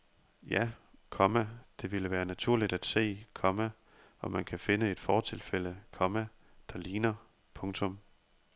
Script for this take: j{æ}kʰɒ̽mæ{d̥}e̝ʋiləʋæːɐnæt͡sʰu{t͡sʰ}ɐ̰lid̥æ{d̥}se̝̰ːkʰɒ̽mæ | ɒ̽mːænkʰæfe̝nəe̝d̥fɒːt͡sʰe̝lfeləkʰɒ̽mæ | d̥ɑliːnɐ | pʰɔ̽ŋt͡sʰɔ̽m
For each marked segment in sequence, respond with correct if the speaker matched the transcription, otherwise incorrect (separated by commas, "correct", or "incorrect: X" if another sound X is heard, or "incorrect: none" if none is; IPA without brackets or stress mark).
correct, correct, incorrect: none, correct